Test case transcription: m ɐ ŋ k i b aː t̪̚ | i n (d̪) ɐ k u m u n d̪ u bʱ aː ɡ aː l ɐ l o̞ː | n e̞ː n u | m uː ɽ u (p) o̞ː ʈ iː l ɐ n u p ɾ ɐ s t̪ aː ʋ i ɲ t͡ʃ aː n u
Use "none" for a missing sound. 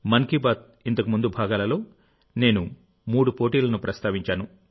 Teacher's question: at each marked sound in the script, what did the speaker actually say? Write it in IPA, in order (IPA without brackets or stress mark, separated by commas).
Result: t̪, p